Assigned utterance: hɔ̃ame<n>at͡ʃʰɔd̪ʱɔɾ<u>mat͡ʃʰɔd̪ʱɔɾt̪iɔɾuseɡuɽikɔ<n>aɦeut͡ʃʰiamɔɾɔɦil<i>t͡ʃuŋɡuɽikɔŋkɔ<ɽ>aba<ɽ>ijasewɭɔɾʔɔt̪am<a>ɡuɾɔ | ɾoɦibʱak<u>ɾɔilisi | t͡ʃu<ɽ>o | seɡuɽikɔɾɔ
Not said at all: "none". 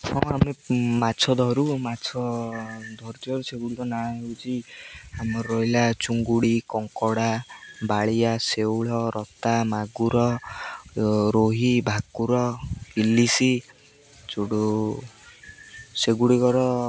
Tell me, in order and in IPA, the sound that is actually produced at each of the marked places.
m, u, n, a, ɽ, ɭ, a, u, ɽ

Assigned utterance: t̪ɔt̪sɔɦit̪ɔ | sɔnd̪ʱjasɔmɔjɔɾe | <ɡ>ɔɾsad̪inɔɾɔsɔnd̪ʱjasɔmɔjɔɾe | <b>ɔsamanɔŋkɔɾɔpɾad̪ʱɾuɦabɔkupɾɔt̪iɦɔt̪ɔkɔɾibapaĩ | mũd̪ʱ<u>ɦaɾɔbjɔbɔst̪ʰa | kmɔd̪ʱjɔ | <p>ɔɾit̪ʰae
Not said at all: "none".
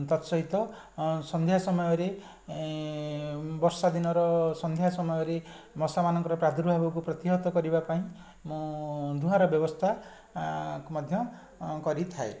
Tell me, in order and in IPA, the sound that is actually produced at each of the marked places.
b, m, u, k

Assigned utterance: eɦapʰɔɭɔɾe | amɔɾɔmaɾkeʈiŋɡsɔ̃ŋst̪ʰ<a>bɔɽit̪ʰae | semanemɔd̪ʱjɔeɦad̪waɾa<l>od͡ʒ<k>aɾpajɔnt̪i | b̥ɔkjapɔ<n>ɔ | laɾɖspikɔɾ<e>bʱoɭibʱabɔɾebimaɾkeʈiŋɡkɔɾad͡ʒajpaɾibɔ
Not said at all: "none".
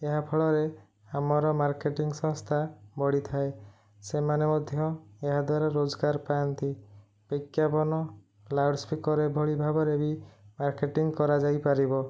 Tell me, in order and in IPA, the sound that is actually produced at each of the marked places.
a, ɾ, ɡ, n, e

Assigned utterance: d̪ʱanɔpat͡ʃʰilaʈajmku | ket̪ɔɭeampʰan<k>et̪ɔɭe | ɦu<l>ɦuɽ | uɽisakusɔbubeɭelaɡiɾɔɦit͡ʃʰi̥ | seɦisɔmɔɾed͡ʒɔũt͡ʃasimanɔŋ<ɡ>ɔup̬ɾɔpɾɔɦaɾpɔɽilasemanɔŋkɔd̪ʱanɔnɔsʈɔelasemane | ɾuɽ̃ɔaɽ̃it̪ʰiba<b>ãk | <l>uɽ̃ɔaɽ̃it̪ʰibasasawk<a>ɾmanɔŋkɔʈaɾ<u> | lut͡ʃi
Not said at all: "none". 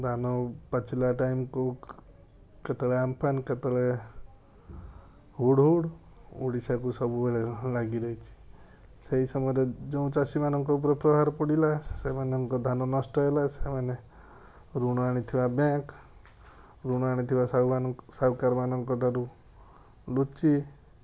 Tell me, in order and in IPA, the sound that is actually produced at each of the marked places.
k, ɽ, k, b, ɾ, a, u

